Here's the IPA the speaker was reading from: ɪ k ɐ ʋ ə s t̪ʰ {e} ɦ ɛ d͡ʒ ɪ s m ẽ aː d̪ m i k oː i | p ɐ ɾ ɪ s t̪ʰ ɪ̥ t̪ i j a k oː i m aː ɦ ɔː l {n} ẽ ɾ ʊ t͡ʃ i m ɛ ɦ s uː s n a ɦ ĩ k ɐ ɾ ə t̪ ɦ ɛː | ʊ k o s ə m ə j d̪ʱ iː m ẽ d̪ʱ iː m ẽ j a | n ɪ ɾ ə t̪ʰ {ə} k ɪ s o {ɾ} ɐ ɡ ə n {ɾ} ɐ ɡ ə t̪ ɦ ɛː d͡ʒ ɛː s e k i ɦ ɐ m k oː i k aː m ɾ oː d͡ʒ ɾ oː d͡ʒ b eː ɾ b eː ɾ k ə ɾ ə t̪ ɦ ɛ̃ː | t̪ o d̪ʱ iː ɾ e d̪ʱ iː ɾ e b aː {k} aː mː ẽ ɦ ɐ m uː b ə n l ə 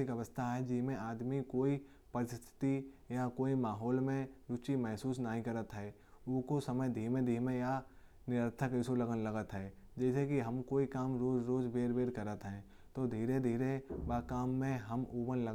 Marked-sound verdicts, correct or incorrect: incorrect: a, incorrect: m, correct, incorrect: l, incorrect: l, correct

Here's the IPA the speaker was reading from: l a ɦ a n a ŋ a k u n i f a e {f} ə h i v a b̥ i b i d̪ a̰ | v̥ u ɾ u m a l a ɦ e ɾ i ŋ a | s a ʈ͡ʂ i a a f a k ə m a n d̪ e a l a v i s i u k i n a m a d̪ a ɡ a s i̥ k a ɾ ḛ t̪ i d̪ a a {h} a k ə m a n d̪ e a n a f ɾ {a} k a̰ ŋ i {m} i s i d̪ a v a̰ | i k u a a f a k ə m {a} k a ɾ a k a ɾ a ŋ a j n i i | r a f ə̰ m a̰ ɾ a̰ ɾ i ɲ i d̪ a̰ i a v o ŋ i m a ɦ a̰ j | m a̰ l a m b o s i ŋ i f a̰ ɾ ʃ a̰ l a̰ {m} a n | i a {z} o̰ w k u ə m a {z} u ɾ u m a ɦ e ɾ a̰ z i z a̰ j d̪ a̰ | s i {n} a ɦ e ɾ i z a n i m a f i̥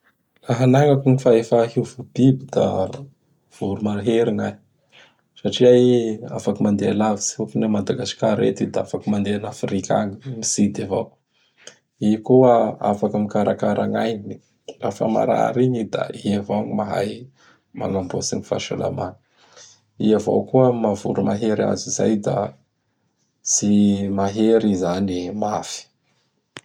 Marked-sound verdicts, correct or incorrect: correct, incorrect: f, incorrect: i, correct, incorrect: i, correct, incorrect: v, incorrect: v, incorrect: m

